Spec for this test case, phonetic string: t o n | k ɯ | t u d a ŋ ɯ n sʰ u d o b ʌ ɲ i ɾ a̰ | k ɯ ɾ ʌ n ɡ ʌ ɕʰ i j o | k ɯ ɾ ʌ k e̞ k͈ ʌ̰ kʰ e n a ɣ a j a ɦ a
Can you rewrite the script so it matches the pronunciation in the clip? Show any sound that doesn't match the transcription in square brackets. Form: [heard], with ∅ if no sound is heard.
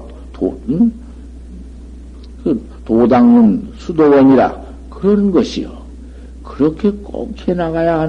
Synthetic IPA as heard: t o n | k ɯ | t [o] d a ŋ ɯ n sʰ u d o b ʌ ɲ i ɾ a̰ | k ɯ ɾ ʌ n ɡ ʌ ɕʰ i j o | k ɯ ɾ ʌ [kʰ] e̞ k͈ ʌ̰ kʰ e n a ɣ a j a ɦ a